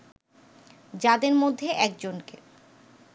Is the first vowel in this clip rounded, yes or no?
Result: no